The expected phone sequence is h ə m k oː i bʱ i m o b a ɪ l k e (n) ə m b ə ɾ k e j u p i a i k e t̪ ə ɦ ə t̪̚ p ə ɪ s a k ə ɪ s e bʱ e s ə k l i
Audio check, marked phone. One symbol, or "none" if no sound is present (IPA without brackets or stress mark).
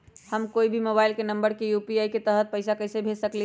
n